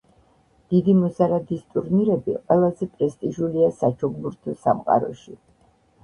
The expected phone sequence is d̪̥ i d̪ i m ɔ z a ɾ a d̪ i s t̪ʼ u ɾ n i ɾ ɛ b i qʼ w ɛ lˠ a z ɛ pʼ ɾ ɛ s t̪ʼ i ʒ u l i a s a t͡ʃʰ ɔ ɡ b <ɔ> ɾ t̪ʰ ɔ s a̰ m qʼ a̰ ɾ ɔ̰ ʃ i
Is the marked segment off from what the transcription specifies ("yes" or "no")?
yes